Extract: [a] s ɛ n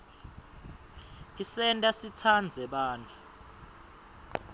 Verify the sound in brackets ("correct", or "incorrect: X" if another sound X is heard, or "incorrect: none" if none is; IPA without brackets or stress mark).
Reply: incorrect: i